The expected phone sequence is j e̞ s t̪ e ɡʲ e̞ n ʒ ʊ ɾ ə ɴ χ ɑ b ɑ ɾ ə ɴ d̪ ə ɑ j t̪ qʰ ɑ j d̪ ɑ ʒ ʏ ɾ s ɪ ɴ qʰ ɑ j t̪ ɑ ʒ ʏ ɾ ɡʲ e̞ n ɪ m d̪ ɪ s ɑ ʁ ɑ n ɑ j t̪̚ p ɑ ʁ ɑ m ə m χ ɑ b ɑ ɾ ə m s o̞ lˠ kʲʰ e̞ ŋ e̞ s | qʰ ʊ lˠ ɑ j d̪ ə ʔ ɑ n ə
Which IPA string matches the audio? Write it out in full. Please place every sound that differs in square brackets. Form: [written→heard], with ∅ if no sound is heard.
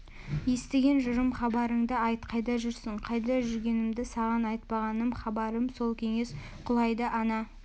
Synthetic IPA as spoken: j e̞ s t̪ e ɡʲ e̞ n ʒ ʊ ɾ ə [ɴ→m] χ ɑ b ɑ ɾ ə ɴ d̪ ə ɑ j t̪ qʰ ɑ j d̪ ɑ ʒ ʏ ɾ s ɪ ɴ qʰ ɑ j [t̪→d̪] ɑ ʒ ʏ ɾ ɡʲ e̞ n ɪ m d̪ ɪ s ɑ ʁ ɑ n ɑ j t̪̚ p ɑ ʁ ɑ [m→n] ə m χ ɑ b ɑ ɾ ə m s o̞ lˠ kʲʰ e̞ ŋ e̞ s | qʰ ʊ lˠ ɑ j d̪ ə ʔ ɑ n [ə→ɑ]